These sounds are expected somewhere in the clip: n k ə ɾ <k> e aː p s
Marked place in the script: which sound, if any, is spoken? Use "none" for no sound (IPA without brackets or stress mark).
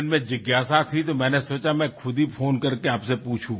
k